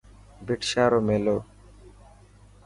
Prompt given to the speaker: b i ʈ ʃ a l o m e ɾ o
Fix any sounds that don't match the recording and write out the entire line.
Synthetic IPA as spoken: b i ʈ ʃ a ɾ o m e l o

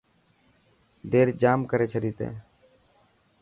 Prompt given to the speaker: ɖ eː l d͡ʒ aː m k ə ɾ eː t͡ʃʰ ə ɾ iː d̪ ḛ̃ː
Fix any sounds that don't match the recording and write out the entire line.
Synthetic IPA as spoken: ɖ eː ɾ d͡ʒ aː m k ə ɾ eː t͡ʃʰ ə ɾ iː t̪ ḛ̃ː

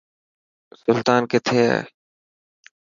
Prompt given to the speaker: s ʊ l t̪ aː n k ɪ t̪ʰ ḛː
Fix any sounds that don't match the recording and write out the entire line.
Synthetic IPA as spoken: s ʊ l t̪ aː n k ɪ t̪ʰ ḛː

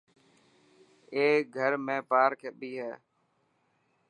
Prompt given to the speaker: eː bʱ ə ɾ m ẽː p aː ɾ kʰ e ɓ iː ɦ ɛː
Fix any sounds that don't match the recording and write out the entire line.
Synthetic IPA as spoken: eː ɡʱ ə ɾ m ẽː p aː ɾ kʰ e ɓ iː ɦ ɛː

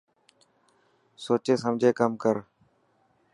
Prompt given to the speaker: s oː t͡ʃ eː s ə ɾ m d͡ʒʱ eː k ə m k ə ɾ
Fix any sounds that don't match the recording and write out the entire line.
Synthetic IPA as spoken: s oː t͡ʃ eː s ə m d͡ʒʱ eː k ə m k ə ɾ

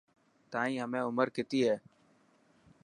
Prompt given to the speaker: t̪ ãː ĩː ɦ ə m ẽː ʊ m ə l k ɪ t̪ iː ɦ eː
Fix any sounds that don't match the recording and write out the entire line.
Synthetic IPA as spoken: t̪ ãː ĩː ɦ ə m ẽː ʊ m ə ɾ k ɪ t̪ iː ɦ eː

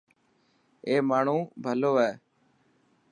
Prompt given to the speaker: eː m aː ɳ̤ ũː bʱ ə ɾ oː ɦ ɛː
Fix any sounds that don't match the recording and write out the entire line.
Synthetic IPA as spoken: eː m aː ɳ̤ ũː bʱ ə l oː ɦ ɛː

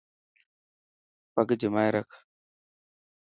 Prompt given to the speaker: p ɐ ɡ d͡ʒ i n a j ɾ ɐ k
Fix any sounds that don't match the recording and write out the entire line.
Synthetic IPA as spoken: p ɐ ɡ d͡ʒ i m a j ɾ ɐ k

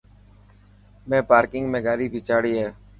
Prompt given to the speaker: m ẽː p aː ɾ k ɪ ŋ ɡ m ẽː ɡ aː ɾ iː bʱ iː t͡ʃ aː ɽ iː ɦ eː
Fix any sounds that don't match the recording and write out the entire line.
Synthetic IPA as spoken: m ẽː p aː ɾ k ɪ ŋ ɡ m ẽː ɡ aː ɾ iː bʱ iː t͡ʃ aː ɽ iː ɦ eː

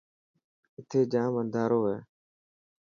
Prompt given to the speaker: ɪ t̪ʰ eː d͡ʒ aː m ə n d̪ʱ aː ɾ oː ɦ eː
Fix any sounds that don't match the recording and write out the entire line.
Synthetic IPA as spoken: ɪ t̪ʰ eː d͡ʒ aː m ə n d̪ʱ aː ɾ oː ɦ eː

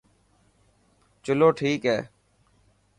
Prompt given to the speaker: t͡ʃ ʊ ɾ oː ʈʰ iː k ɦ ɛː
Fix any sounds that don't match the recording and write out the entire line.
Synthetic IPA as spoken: t͡ʃ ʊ l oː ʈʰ iː k ɦ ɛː

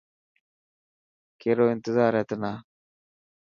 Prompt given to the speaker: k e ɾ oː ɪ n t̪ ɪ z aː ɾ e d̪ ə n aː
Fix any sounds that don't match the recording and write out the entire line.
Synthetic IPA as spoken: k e ɾ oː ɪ n t̪ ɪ z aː ɾ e t̪ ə n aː

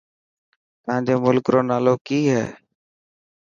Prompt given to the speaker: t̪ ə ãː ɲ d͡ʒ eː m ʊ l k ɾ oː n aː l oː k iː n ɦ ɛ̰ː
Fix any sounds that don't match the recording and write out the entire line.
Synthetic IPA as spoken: t̪ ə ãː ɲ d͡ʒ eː m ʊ l k ɾ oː n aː l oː k iː ɦ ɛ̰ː

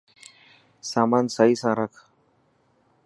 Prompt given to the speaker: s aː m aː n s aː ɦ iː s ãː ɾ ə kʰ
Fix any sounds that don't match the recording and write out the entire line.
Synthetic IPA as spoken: s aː m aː n s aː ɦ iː s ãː ɾ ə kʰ

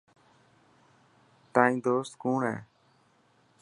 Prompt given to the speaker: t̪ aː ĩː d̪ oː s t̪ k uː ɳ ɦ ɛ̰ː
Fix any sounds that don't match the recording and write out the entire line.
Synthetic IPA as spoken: t̪ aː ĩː d̪ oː s t̪ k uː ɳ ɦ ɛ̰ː

